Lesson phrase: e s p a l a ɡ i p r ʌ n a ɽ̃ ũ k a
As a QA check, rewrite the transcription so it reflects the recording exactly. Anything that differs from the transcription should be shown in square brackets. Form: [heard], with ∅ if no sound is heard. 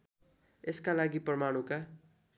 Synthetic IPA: e s [k] a l a ɡ i p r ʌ [m] a ɽ̃ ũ k a